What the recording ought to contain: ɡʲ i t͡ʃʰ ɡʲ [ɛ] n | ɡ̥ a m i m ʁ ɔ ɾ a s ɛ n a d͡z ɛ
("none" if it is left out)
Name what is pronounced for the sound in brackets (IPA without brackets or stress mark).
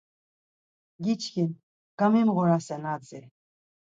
i